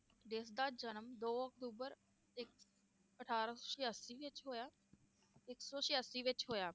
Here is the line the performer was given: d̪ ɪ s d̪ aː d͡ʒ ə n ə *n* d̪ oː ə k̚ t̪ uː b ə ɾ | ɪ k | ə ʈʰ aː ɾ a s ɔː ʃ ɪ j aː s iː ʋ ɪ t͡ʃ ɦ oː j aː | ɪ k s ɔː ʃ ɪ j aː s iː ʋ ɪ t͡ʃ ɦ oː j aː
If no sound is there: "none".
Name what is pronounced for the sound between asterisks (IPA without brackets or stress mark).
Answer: m